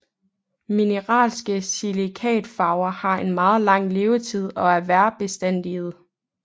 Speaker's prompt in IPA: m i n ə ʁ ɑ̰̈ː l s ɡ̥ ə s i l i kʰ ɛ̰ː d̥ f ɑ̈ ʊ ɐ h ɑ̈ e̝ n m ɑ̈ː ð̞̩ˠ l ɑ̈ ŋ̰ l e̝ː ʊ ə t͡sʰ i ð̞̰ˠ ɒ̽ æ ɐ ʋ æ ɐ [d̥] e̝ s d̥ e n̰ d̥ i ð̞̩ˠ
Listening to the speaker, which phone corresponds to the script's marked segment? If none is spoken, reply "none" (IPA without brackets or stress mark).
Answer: b̥